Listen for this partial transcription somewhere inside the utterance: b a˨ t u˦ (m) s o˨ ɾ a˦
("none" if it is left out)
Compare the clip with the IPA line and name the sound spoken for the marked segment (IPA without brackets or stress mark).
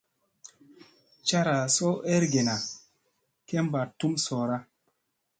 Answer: m